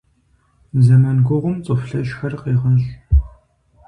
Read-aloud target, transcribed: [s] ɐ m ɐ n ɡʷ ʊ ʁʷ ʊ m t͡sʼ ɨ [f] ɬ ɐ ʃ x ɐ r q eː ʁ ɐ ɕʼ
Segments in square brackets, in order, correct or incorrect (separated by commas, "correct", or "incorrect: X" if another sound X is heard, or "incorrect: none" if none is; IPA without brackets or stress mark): incorrect: z, correct